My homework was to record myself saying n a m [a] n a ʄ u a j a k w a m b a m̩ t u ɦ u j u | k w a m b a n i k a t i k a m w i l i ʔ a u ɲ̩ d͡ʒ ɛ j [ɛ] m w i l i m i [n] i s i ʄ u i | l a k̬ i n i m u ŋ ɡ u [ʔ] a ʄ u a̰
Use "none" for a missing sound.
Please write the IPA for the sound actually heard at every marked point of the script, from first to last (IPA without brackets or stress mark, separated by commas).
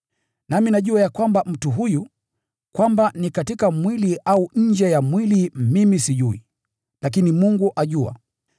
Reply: i, a, m, ʔ